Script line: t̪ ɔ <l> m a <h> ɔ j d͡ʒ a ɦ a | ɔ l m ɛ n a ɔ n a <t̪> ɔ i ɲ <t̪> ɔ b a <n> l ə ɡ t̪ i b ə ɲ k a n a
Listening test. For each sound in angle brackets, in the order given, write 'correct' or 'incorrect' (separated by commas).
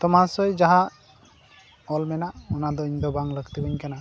incorrect, incorrect, incorrect, incorrect, incorrect